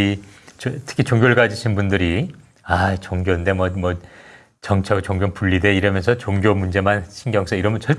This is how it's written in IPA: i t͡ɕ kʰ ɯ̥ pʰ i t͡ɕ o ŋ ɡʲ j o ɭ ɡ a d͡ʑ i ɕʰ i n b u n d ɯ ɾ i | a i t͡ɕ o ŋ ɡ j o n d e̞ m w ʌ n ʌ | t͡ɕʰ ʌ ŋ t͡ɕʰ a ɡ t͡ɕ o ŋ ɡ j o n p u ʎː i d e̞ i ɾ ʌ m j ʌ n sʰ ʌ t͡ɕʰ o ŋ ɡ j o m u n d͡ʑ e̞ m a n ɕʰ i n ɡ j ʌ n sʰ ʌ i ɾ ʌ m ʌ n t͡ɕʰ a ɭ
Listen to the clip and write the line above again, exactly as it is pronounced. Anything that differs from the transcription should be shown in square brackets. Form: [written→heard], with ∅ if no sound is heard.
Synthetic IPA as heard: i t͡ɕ [kʰ→tʰ] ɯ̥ [pʰ→kʰ] i t͡ɕ o ŋ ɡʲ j o ɭ ɡ a d͡ʑ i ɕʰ i n b u n d ɯ ɾ i | a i t͡ɕ o ŋ ɡ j o n d e̞ m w ʌ [n→m] ʌ | [t͡ɕʰ→t͡ɕ] ʌ ŋ t͡ɕʰ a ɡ t͡ɕ o ŋ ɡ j o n p u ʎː i d e̞ i ɾ ʌ m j ʌ n sʰ ʌ [t͡ɕʰ→t͡ɕ] o ŋ ɡ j o m u n d͡ʑ e̞ m a n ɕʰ i n ɡ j ʌ [n→ŋ] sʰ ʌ i ɾ ʌ m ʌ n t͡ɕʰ [a→ʌ] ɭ